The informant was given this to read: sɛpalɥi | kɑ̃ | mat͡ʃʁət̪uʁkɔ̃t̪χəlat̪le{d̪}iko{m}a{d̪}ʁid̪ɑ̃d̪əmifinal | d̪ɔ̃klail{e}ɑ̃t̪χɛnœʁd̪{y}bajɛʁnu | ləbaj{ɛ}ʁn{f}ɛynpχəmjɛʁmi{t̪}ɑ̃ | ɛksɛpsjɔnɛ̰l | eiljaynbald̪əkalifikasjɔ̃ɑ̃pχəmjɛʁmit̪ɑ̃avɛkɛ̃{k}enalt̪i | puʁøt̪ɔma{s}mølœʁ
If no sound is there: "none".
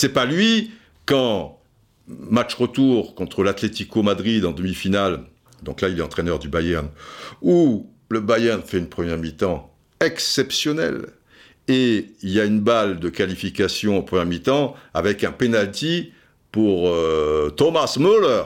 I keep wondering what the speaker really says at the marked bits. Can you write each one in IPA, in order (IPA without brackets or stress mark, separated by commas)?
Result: t̪, m, d̪, ɛ, y, ɛ, f, t̪, p, s